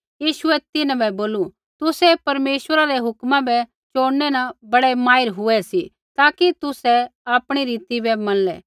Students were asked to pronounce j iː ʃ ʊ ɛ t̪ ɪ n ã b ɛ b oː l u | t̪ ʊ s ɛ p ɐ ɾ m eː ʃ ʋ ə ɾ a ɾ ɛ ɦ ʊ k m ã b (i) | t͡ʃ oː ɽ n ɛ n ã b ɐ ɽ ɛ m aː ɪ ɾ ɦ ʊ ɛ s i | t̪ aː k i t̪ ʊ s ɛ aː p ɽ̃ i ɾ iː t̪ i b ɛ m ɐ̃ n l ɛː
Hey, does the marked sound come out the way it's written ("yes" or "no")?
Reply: no